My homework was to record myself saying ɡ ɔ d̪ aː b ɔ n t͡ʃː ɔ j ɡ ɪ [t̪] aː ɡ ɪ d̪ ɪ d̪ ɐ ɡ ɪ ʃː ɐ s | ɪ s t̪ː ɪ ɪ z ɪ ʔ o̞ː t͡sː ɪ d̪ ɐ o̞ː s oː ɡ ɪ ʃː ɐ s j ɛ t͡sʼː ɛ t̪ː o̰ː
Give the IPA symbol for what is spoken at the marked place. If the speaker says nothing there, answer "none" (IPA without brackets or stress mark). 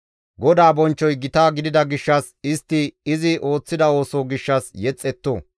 t̪